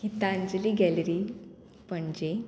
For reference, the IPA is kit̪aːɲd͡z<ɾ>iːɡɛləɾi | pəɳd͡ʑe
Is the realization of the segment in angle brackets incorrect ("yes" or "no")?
yes